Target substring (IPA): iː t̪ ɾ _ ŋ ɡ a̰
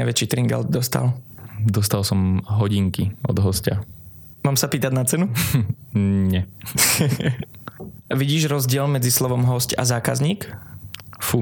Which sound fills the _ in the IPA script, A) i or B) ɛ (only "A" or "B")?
A